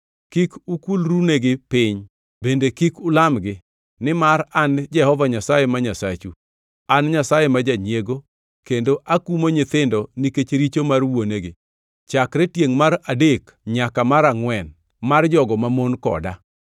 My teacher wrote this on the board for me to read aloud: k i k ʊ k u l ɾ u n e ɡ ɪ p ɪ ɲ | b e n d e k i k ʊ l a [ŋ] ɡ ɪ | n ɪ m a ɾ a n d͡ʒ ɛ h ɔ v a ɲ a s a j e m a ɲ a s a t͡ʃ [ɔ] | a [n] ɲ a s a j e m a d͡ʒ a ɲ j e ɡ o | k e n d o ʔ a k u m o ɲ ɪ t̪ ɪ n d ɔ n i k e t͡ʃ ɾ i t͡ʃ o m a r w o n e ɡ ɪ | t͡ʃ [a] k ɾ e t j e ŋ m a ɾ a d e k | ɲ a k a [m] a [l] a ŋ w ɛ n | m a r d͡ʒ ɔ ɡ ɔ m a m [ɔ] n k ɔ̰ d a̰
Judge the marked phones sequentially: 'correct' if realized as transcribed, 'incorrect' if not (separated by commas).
incorrect, incorrect, correct, correct, correct, incorrect, incorrect